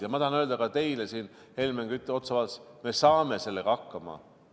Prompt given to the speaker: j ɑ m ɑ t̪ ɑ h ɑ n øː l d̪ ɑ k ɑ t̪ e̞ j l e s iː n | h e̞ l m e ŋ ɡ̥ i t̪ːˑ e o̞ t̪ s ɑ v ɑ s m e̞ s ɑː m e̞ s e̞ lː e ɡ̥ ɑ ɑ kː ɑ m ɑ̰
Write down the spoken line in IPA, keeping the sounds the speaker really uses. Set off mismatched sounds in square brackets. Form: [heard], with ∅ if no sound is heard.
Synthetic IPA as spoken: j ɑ m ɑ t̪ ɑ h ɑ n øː l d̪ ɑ k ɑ t̪ e̞ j l e s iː n | h e̞ l m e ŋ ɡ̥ [y] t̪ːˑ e o̞ t̪ s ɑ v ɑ s m e̞ s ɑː m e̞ s e̞ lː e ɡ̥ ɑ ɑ kː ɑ m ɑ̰